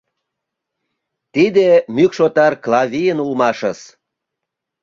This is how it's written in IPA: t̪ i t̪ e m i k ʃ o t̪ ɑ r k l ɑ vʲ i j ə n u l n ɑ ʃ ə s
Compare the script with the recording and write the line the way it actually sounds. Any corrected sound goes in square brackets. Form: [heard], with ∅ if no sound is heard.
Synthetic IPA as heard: t̪ i [d̪] e m [y] k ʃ o t̪ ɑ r k l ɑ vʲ i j ə n u l [m] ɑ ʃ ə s